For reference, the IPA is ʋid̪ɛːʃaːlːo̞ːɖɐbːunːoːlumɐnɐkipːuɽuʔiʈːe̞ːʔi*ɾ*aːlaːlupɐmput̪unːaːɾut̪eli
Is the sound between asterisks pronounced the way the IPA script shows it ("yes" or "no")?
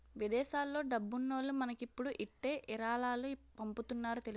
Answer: yes